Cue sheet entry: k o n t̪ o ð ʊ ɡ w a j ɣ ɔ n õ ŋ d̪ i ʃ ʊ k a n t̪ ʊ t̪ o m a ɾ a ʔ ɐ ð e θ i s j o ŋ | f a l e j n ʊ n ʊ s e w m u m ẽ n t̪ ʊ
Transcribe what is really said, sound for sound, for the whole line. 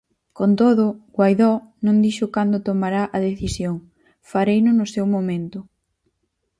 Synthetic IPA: k o n t̪ o ð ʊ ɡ w a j ð ɔ n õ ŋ d̪ i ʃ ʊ k a n d̪ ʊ t̪ o m a ɾ a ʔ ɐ ð e θ i s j o ŋ | f a ɾ e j n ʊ n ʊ s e w m o m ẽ n t̪ ʊ